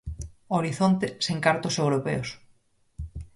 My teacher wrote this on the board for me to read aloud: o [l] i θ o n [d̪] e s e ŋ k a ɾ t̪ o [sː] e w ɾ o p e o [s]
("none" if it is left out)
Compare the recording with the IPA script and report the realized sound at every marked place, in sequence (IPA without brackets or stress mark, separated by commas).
ɾ, t̪, s, s